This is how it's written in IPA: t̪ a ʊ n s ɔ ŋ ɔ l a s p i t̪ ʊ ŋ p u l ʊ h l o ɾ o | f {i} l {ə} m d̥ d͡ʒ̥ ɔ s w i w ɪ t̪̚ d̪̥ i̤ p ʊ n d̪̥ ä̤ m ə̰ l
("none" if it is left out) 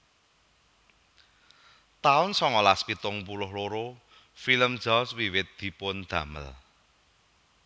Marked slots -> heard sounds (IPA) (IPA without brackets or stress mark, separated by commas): i, ə